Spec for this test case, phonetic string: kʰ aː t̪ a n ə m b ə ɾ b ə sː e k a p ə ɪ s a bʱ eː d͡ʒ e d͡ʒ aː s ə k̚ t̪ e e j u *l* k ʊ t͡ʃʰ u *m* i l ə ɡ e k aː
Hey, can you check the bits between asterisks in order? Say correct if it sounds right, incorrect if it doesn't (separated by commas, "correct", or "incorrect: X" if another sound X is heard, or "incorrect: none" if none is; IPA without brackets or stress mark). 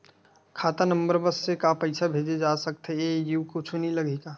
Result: incorrect: none, incorrect: n